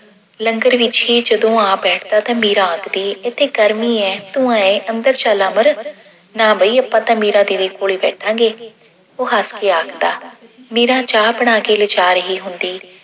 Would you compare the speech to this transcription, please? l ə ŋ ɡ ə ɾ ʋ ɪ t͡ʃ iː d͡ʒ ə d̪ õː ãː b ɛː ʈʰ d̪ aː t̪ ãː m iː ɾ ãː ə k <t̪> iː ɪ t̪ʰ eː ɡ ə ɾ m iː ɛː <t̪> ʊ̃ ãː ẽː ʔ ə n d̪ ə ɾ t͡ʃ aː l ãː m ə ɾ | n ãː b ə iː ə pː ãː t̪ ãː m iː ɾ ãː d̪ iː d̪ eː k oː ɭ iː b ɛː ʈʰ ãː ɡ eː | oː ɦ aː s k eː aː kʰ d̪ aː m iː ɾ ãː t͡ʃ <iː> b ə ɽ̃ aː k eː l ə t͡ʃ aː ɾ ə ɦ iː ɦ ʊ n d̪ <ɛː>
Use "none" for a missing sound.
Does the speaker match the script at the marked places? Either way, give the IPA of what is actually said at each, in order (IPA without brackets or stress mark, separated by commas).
d̪, t̪, aː, iː